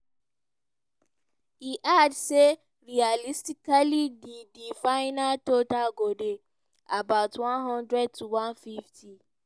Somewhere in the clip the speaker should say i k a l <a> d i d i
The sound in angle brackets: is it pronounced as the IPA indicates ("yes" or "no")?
no